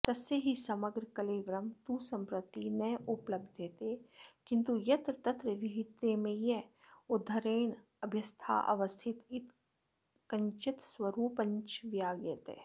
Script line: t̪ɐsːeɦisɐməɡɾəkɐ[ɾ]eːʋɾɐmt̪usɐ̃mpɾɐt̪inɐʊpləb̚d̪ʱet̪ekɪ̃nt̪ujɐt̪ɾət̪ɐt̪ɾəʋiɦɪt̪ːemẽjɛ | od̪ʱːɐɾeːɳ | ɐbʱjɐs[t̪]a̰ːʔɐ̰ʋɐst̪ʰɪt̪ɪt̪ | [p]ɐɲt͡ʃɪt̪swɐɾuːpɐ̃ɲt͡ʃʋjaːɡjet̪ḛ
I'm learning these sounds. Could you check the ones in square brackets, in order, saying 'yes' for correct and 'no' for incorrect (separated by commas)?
no, no, no